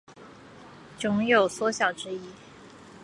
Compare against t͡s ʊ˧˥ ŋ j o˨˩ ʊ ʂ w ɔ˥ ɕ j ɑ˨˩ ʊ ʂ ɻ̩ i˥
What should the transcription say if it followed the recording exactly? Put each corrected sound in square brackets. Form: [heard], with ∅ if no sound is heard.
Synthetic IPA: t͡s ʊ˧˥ ŋ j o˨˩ ʊ [s] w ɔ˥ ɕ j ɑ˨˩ ʊ [ʈ͡ʂ] ɻ̩ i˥